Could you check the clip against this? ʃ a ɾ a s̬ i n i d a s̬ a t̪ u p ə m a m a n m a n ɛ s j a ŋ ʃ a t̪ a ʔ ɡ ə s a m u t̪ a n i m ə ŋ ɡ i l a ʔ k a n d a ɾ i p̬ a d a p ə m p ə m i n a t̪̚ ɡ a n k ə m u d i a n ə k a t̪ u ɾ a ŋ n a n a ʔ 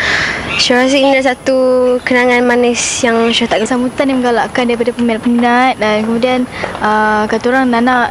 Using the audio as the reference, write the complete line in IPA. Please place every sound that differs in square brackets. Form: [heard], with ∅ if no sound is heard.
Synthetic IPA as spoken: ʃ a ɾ a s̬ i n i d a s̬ a t̪ u [k] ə [n] a [ŋ] a n m a n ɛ s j a ŋ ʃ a t̪ a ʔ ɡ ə s a m u t̪ a n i m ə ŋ ɡ [a] l a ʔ k a n d a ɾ i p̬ a d a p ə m p ə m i n a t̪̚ [d] a n k ə m u d i a n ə k a t̪ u ɾ a ŋ n a n a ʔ